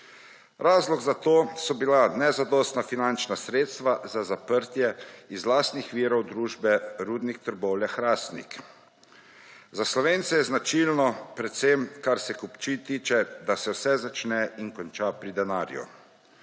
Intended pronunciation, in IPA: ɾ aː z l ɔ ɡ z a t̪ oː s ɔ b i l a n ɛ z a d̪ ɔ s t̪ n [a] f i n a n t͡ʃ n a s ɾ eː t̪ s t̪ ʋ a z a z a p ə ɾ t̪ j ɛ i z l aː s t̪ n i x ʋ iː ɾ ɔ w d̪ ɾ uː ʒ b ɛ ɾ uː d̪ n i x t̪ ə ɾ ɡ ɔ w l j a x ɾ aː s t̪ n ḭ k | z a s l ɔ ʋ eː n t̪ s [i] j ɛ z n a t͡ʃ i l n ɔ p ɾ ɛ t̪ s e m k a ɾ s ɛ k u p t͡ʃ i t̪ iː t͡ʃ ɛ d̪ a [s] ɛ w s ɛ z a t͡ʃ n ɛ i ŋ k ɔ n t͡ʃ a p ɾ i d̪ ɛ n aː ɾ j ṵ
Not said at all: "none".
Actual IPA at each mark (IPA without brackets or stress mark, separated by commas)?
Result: a, ɛ, s